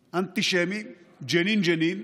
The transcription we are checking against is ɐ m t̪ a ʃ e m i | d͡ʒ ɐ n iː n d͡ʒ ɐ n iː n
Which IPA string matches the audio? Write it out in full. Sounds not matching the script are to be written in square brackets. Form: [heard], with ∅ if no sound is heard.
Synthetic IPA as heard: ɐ [n] t̪ [i] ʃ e m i | d͡ʒ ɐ n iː n d͡ʒ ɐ n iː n